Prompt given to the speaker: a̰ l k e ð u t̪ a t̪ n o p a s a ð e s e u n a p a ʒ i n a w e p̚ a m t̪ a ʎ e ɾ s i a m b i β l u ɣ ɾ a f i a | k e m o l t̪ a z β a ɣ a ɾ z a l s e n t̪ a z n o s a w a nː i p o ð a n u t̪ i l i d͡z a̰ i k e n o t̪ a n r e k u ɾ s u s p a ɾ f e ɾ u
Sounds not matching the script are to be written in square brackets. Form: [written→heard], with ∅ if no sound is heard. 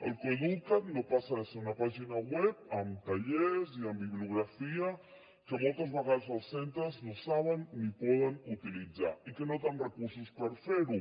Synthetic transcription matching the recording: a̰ l k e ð u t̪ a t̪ n o p a s a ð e s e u n a p a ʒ i n a w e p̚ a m t̪ a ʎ e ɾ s i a m b i β l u ɣ ɾ a f i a | k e m o l t̪ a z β a ɣ a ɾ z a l s e n t̪ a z n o s a [w→β] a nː i p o ð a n u t̪ i l i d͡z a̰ i k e n o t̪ a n r e k u ɾ s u s p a ɾ f e ɾ u